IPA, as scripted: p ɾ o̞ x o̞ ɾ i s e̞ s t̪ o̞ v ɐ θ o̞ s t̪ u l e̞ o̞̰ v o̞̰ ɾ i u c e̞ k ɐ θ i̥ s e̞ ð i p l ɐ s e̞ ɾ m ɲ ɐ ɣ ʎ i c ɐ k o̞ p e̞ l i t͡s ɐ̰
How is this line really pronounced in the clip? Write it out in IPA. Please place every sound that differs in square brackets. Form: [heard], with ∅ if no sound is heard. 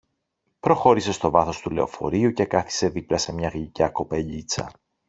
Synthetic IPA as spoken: p ɾ o̞ x o̞ ɾ i s e̞ s t̪ o̞ v ɐ θ o̞ s t̪ u l e̞ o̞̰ [f] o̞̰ ɾ i u c e̞ k ɐ θ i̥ s e̞ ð i p l ɐ s e̞ [∅] m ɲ ɐ ɣ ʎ i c ɐ k o̞ p e̞ [ʎ] i t͡s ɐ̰